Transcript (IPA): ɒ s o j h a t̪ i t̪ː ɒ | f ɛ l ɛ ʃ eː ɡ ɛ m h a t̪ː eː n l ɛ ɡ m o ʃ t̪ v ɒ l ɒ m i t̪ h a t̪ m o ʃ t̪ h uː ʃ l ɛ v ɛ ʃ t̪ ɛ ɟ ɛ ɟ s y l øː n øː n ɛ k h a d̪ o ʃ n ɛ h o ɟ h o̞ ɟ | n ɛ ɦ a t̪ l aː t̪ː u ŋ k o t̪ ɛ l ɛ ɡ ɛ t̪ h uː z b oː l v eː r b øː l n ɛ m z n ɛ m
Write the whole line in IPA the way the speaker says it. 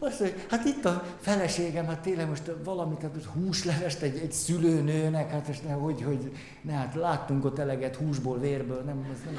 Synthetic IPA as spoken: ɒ s o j h a t̪ i t̪ː ɒ | f ɛ l ɛ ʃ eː ɡ ɛ m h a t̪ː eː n l ɛ ɡ m o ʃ t̪ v ɒ l ɒ m i t̪ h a t̪ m o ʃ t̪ h uː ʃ l ɛ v ɛ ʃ t̪ ɛ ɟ ɛ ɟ s y l øː n øː n ɛ k h a t̪ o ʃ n ɛ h o ɟ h o̞ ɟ | n ɛ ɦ a t̪ l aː t̪ː u ŋ k o t̪ ɛ l ɛ ɡ ɛ t̪ h uː ʒ b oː l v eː r b øː l n ɛ m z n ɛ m